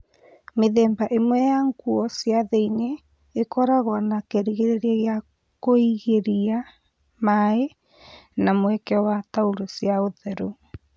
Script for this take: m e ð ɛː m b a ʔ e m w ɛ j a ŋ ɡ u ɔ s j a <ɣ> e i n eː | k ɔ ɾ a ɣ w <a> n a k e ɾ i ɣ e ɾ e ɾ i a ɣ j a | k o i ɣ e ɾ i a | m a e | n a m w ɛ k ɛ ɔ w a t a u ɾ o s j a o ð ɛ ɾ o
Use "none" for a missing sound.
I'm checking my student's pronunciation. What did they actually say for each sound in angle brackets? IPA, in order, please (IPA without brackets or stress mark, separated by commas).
ð, a